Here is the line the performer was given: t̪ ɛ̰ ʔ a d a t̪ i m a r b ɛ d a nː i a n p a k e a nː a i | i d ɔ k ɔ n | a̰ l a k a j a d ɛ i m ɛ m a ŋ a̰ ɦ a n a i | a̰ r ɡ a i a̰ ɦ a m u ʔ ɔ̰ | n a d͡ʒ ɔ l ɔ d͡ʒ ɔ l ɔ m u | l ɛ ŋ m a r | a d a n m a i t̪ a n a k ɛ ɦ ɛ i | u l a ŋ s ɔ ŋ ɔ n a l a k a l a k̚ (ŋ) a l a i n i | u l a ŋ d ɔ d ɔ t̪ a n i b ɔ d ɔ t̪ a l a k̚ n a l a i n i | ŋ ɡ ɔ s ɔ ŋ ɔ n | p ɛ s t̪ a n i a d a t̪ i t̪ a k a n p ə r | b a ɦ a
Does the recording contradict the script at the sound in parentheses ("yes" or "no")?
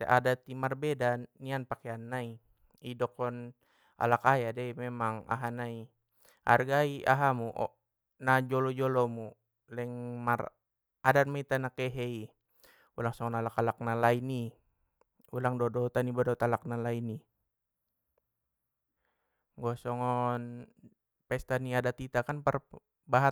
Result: yes